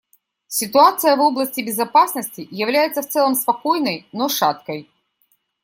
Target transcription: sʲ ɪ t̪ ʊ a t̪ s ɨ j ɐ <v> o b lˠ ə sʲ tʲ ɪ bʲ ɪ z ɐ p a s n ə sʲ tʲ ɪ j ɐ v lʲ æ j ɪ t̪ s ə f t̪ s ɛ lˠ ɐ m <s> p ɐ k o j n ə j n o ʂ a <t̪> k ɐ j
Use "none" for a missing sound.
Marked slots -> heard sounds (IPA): v, s, t̪

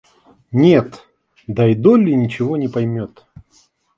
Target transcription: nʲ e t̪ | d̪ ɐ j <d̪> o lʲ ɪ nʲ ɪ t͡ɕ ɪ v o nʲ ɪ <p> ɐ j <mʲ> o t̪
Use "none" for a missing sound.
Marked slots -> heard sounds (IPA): d̪, p, mʲ

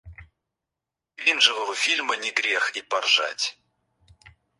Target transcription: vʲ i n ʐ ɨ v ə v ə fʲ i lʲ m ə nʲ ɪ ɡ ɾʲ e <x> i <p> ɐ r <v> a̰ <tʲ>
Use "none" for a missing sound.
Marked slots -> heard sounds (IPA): x, p, ʐ, tʲ

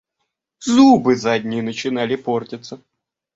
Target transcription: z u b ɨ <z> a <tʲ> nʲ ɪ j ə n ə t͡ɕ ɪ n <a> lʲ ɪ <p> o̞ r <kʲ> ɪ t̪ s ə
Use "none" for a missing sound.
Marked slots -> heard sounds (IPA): z, dʲ, a, p, tʲ

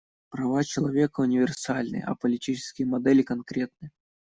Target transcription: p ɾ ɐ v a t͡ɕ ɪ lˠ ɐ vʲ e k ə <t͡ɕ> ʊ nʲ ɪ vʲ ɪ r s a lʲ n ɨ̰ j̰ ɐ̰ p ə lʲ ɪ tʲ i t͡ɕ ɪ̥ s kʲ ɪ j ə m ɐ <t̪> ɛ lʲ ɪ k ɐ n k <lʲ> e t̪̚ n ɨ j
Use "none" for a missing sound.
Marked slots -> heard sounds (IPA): none, d̪, ɾʲ

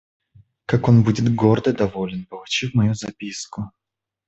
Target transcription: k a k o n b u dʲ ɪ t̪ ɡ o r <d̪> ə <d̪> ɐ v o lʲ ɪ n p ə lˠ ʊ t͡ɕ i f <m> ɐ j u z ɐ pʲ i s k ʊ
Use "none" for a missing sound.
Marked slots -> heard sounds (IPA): d̪, d̪, m

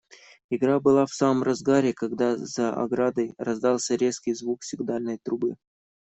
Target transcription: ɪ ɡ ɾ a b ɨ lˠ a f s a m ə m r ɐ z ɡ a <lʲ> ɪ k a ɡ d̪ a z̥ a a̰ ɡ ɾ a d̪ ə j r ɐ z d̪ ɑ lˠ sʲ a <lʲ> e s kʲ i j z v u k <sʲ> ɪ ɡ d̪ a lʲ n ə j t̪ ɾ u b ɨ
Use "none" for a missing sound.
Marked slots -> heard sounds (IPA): ɾʲ, ɾʲ, sʲ

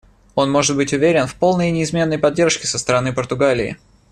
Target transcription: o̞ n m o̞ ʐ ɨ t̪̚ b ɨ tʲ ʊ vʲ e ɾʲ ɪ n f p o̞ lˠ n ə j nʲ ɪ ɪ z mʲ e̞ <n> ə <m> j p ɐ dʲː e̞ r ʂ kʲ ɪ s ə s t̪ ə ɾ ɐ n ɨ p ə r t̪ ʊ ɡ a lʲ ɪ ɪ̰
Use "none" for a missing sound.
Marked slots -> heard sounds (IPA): nː, none

